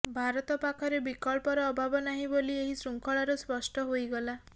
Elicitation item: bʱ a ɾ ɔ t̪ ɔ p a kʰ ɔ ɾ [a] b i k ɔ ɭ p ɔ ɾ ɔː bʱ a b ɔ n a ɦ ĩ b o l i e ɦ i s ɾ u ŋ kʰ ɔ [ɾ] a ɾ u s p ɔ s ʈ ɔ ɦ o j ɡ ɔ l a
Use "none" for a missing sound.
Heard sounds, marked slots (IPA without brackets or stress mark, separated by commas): e, ɭ